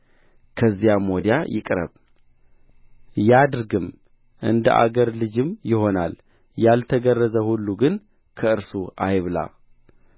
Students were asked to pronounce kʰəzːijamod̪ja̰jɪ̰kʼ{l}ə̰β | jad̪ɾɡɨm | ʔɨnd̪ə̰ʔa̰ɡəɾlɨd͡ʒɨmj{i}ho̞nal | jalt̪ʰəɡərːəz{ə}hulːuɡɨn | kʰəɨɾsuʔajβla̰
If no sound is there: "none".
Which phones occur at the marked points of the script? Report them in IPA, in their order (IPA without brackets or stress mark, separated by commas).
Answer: ɾ, ɪ, ə